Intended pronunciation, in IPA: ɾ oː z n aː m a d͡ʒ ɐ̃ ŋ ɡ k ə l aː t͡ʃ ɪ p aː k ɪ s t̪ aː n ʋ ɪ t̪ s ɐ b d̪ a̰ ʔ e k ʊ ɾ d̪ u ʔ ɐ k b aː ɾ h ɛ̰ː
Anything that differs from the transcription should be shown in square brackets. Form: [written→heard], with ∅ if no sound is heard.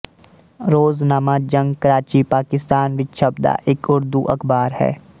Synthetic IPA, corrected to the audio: ɾ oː z n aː m a d͡ʒ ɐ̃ ŋ ɡ k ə [l→ɾ] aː t͡ʃ [ɪ→i] p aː k ɪ s t̪ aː n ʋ ɪ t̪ [s→ʃ] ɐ b d̪ a̰ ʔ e k ʊ ɾ d̪ u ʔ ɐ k b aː ɾ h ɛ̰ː